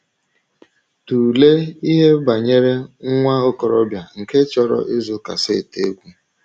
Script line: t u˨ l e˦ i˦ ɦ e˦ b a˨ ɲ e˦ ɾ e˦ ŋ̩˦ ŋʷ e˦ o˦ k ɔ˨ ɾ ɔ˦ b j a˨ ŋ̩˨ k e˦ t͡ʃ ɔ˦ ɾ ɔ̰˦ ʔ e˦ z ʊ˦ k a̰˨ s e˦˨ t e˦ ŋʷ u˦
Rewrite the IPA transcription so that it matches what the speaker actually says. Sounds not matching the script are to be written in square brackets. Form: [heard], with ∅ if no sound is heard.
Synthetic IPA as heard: t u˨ l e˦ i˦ ɦ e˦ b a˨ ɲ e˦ ɾ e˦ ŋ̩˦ ŋʷ [a˦] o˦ k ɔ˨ ɾ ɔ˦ b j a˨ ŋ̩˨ k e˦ t͡ʃ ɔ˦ ɾ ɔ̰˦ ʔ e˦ z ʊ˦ k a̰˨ s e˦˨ t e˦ [ɡʷ] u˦